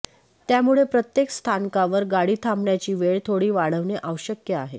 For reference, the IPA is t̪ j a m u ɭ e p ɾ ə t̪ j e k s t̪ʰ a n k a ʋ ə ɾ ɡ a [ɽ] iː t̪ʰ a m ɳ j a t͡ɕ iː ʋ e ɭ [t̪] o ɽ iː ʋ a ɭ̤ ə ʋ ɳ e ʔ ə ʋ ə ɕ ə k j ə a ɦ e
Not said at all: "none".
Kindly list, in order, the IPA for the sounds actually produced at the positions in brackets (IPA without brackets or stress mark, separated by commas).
ɽ, t̪ʰ